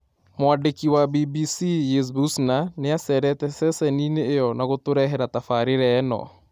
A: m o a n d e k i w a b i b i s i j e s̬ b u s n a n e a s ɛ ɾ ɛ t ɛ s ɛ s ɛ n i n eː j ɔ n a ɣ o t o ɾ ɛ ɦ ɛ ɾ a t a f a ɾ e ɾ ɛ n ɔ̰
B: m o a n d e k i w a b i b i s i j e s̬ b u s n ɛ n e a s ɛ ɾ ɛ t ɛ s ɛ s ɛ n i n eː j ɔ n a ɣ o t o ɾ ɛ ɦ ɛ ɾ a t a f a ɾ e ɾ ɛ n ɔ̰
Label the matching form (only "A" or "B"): A